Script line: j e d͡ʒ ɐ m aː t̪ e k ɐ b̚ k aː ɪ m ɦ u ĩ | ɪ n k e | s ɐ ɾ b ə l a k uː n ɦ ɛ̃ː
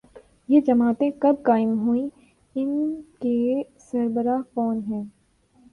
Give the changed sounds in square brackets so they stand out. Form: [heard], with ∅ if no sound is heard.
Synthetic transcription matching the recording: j e d͡ʒ ɐ m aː t̪ [ẽ] k ɐ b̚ k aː ɪ m ɦ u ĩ | ɪ n k e | s ɐ ɾ b ə [ɾ] a k [ɔː] n ɦ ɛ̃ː